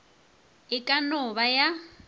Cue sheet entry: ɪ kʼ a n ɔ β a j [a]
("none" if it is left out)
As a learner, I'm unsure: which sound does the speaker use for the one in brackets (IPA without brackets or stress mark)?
a